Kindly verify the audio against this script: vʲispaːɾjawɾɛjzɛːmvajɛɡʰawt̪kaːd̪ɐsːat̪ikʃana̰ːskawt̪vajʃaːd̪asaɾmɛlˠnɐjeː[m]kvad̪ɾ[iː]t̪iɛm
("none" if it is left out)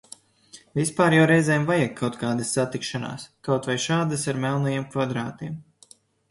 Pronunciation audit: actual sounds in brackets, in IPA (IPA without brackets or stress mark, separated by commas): m, aː